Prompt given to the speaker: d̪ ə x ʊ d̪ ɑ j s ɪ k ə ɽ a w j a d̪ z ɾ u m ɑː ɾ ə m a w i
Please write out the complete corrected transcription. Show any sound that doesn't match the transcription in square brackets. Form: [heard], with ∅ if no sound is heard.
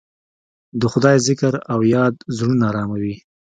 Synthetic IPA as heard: d̪ ə x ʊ d̪ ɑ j [z] ɪ k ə [ɾ] a w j [ɑ] d̪ z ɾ u [n] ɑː ɾ [ɑ] m a w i